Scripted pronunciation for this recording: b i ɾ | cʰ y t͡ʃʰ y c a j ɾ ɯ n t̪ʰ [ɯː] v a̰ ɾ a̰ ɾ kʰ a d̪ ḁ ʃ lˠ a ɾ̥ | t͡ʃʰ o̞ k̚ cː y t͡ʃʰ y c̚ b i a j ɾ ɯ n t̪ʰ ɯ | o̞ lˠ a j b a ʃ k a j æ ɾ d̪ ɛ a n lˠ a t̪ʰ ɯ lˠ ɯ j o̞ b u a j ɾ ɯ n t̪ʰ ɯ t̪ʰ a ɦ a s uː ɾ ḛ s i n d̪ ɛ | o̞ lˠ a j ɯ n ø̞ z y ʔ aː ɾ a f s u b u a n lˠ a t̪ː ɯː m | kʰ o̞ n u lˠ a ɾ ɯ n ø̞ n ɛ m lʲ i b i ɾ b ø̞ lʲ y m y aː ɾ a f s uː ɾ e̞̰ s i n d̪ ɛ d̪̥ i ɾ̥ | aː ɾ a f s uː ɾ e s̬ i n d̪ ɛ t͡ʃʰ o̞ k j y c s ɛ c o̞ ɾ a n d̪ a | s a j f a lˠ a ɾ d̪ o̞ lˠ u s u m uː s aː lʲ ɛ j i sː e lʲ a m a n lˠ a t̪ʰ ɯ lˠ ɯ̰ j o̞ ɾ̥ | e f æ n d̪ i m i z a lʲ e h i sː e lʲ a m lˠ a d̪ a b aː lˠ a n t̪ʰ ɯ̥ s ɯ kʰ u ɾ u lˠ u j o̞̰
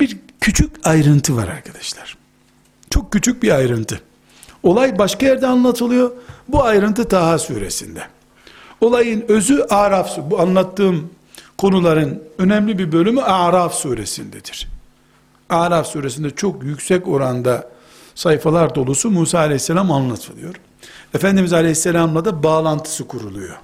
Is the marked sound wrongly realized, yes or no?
yes